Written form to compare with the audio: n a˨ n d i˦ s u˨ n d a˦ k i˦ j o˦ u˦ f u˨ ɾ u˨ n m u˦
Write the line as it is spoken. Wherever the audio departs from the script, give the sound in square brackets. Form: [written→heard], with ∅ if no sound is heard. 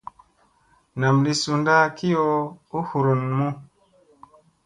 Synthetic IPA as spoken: n a˨ [n→m] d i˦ s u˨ n d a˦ k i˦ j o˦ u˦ [f→h] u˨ ɾ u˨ n m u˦